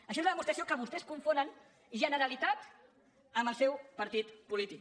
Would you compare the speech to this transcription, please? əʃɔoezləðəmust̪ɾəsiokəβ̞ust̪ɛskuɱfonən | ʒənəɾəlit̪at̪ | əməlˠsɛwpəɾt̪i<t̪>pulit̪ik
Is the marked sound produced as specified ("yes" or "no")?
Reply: yes